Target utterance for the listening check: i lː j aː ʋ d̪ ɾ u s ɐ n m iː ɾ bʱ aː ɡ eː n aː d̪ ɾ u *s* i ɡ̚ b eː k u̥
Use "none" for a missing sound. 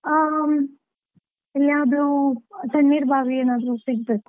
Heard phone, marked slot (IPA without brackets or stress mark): s